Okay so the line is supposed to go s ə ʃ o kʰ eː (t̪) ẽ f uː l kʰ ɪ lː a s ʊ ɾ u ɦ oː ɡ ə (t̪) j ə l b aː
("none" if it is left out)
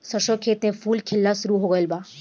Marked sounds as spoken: t̪, none

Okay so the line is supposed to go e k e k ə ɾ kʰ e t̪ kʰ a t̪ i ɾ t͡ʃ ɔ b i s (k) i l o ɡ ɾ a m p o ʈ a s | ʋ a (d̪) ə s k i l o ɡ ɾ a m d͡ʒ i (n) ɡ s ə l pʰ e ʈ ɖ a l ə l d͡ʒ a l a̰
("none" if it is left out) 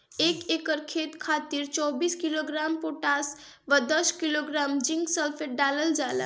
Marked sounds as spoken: k, d̪, ŋ

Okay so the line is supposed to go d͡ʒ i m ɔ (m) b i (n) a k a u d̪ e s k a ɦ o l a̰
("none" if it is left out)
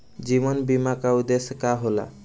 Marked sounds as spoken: n, m

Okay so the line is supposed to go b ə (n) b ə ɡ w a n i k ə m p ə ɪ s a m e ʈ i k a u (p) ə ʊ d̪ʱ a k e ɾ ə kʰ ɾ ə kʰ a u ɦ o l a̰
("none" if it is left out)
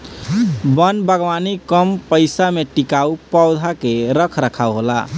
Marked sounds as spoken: n, p

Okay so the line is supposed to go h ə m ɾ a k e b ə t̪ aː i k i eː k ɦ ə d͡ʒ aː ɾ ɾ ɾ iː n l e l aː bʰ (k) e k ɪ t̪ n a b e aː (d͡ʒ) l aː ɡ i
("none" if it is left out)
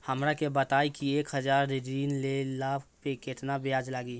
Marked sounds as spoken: p, d͡ʒ

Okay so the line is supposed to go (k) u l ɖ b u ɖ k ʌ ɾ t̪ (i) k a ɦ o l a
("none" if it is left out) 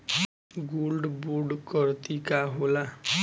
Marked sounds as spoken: ɡ, i

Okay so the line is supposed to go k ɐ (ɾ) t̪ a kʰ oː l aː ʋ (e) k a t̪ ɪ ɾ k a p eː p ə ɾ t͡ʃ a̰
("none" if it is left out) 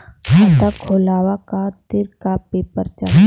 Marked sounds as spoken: none, a

